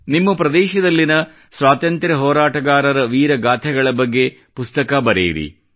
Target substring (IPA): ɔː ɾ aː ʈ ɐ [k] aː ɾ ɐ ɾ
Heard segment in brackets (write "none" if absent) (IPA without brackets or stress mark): ɡ